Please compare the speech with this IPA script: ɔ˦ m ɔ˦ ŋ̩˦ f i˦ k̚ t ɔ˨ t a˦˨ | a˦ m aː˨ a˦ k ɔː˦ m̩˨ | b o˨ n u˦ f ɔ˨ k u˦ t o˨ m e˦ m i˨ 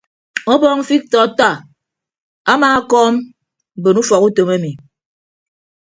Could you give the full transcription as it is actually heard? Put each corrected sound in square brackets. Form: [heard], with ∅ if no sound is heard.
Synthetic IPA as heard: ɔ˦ [b] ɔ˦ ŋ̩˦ f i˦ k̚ t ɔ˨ t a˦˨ | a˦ m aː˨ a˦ k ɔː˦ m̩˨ | b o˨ n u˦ f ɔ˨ k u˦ t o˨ m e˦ m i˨